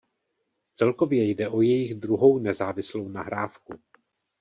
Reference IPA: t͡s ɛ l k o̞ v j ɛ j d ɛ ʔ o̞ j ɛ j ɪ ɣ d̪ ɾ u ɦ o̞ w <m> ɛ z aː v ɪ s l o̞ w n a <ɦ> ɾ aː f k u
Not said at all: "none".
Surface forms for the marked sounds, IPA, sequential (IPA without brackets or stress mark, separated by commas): n, ɦ